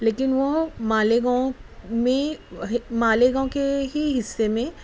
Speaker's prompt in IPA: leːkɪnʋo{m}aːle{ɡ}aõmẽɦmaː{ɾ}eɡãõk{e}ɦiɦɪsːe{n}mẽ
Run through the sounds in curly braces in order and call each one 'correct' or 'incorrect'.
correct, correct, incorrect: l, correct, incorrect: none

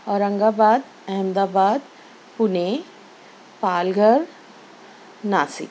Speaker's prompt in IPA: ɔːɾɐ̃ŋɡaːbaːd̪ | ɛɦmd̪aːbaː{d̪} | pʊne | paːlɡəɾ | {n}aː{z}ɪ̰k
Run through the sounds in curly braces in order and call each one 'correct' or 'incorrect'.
correct, correct, incorrect: s

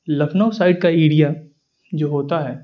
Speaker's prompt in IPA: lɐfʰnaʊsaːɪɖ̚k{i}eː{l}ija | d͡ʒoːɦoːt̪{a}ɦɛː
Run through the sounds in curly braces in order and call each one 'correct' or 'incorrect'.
incorrect: a, incorrect: ɽ, correct

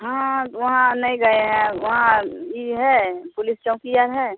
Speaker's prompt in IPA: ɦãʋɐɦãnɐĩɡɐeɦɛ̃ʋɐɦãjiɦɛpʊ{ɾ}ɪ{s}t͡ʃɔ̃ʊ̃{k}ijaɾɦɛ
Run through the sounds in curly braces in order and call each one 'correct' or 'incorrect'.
incorrect: l, correct, correct

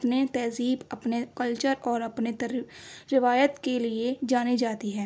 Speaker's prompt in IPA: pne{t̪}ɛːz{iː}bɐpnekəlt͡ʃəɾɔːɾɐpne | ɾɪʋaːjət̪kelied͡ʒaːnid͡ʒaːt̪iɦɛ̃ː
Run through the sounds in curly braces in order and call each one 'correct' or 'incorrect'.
correct, correct

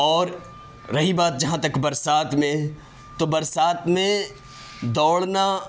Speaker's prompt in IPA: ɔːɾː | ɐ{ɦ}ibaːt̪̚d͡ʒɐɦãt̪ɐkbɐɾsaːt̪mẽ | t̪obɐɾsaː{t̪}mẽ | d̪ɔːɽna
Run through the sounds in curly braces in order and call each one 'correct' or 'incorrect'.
correct, correct

